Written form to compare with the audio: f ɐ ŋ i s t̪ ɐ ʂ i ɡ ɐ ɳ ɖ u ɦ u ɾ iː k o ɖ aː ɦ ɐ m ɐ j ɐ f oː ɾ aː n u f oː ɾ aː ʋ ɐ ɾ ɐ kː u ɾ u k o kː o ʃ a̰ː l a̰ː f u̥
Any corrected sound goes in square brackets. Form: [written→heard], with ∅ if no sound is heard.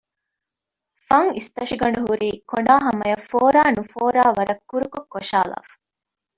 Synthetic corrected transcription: f ɐ ŋ i s t̪ ɐ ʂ i ɡ ɐ ɳ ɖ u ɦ u ɾ iː k o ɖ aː ɦ ɐ m ɐ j ɐ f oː ɾ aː n u f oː ɾ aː ʋ ɐ ɾ ɐ kː u ɾ u k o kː o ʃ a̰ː l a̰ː f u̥

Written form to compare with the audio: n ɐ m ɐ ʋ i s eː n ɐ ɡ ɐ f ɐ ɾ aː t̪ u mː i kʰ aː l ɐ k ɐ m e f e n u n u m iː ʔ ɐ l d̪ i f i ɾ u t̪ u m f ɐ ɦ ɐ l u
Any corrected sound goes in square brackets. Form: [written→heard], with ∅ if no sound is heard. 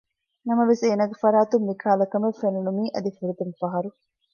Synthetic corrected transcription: n ɐ m ɐ ʋ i s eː n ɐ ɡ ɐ f ɐ ɾ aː t̪ u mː i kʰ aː l ɐ k ɐ m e f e n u n u m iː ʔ ɐ [l→∅] d̪ i f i ɾ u t̪ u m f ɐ ɦ ɐ [l→ɾ] u

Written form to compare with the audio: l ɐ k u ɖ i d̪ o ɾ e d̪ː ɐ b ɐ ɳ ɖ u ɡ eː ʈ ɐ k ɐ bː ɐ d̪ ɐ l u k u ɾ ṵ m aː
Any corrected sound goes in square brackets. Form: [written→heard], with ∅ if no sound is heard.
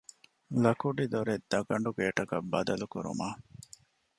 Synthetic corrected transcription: l ɐ k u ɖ i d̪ o ɾ e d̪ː ɐ [b→ɡ] ɐ ɳ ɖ u ɡ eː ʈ ɐ k ɐ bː ɐ d̪ ɐ l u k u ɾ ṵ m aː

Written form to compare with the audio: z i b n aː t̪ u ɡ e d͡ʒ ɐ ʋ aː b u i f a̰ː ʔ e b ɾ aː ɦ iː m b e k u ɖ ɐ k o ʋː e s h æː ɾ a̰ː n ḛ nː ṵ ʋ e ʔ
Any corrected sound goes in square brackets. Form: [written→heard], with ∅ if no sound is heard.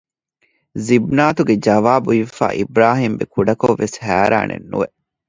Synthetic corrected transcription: z i b n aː t̪ u ɡ e d͡ʒ ɐ ʋ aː b u i f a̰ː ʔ [e→i] b ɾ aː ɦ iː m b e k u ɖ ɐ k o ʋː e s h æː ɾ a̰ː n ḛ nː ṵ ʋ e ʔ

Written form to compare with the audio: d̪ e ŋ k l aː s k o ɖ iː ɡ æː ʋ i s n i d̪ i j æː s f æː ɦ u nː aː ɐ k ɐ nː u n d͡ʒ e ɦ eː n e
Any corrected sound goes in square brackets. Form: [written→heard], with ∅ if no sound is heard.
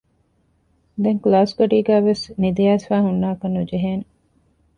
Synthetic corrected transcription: d̪ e ŋ k l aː s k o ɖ iː ɡ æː ʋ [i→e] s n i d̪ i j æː s f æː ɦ u nː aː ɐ k ɐ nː u [n→∅] d͡ʒ e ɦ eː n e

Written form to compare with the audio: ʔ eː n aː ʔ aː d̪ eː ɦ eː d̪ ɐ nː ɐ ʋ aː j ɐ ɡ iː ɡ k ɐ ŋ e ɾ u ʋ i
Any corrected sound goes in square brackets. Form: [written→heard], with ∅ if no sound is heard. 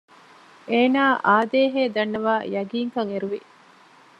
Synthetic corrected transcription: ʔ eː n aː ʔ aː d̪ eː ɦ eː d̪ ɐ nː ɐ ʋ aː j ɐ ɡ iː [ɡ→ŋ] k ɐ ŋ e ɾ u ʋ i

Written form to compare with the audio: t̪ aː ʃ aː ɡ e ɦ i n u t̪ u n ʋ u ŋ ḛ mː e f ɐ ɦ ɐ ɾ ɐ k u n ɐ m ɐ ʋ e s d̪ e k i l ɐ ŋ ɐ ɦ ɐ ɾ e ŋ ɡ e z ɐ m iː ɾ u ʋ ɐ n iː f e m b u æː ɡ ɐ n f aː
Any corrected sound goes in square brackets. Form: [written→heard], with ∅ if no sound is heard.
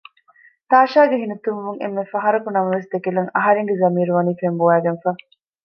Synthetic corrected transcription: t̪ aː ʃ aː ɡ e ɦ i n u t̪ u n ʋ u ŋ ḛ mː e f ɐ ɦ ɐ ɾ ɐ k u n ɐ m ɐ ʋ e s d̪ e k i l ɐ ŋ ɐ ɦ ɐ ɾ e ŋ ɡ e z ɐ m iː ɾ u ʋ ɐ n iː f e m b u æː ɡ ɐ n f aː

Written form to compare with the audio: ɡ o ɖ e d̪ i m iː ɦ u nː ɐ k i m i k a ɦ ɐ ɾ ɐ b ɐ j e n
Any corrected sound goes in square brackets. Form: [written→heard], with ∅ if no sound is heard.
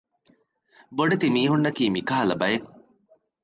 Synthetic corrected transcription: [ɡ→b] o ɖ e [d̪→t̪] i m iː ɦ u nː ɐ k [i→iː] m i k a ɦ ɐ [ɾ→l] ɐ b ɐ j e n

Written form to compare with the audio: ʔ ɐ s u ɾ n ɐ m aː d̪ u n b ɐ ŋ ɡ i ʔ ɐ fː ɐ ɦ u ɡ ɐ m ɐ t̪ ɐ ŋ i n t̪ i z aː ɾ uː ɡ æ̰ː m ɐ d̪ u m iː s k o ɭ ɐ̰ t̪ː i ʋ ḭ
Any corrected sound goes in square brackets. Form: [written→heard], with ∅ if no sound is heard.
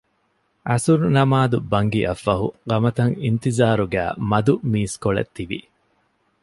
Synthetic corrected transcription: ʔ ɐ s u ɾ n ɐ m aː d̪ u [n→∅] b ɐ ŋ ɡ i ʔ ɐ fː ɐ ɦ u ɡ ɐ m ɐ t̪ ɐ ŋ i n t̪ i z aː ɾ [uː→u] ɡ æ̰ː m ɐ d̪ u m iː s k o ɭ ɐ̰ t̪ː i ʋ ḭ

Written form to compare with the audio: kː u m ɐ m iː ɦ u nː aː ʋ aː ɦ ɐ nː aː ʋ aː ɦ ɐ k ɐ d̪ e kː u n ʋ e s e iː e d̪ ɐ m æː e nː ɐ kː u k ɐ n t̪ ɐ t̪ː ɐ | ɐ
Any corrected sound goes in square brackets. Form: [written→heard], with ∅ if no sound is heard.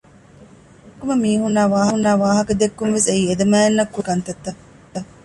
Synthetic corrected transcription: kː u m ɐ m iː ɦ u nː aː ʋ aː ɦ ɐ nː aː ʋ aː ɦ ɐ k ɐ d̪ e kː u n ʋ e s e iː e d̪ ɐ m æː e nː ɐ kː u k ɐ n t̪ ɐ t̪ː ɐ | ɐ

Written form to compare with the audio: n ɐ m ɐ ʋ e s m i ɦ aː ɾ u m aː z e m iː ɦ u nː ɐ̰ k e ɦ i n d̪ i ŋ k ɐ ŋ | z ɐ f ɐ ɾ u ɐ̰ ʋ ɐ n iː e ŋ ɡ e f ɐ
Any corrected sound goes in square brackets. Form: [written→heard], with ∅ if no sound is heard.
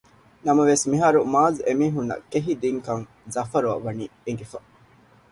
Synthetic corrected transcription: n ɐ m ɐ ʋ e s m i ɦ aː ɾ u m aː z e m iː ɦ u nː ɐ̰ k e ɦ i [n→∅] d̪ i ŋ k ɐ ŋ | z ɐ f ɐ ɾ u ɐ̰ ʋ ɐ n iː e ŋ ɡ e f ɐ

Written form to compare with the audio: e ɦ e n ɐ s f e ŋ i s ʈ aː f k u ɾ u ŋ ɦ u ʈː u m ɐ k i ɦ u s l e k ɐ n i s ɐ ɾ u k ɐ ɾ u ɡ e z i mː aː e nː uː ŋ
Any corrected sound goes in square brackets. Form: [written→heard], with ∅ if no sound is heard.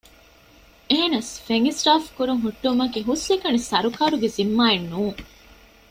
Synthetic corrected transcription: e ɦ e n ɐ s f e ŋ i s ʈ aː f k u ɾ u ŋ ɦ u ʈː u m ɐ k i ɦ u s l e k ɐ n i s ɐ ɾ u k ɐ ɾ u ɡ e z i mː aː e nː uː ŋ

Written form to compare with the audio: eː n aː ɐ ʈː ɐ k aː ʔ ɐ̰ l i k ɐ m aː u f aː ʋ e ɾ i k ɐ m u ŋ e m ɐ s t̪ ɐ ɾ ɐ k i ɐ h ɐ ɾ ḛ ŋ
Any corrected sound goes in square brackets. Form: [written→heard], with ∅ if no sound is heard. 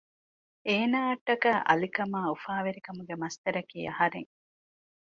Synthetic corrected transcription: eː n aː ɐ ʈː ɐ k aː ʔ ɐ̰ l i k ɐ m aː u f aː ʋ e ɾ i k ɐ m u [ŋ→ɡ] e m ɐ s t̪ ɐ ɾ ɐ k [i→iː] ɐ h ɐ ɾ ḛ ŋ

